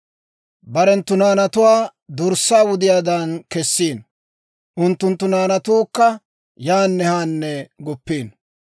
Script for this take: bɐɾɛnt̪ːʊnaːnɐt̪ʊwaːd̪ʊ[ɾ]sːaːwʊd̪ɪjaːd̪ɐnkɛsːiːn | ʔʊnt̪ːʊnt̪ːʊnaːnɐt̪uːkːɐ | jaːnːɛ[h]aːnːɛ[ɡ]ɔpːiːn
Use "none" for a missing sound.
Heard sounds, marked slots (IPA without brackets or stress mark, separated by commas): ɾ, h, ɡ